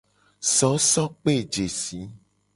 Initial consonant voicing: voiceless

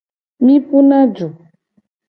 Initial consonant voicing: voiced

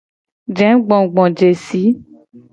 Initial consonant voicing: voiced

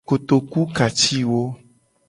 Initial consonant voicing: voiceless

